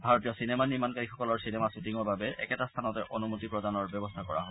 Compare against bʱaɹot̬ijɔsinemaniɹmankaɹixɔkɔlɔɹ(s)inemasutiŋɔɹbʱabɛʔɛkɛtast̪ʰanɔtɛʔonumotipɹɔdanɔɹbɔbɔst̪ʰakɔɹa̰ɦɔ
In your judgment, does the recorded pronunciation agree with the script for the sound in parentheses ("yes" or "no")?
yes